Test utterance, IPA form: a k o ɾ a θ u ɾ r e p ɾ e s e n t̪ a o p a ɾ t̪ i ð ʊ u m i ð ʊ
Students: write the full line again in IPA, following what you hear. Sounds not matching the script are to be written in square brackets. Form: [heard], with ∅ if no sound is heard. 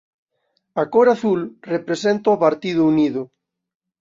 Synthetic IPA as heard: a k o ɾ a θ u [l] r e p ɾ e s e n t̪ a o p a ɾ t̪ i ð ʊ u [n] i ð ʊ